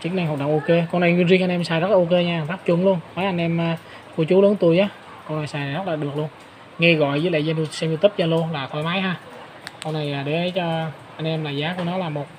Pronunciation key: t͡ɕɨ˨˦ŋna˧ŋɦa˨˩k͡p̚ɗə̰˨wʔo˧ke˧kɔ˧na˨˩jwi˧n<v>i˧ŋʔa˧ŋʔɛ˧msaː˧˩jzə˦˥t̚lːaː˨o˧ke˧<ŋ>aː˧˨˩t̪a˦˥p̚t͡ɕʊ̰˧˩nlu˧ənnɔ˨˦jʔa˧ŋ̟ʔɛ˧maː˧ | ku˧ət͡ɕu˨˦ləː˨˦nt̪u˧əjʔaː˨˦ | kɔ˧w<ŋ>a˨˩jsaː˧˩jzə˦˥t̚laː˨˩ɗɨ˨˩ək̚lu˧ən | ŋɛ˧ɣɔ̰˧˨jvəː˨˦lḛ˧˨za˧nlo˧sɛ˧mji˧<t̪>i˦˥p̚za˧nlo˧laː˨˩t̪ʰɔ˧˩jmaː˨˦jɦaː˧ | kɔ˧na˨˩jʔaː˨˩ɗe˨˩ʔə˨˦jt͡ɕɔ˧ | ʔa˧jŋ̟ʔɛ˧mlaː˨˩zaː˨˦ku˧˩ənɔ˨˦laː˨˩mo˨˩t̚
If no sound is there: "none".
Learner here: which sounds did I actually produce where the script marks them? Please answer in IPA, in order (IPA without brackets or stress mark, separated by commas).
z, ɲ, n, t̪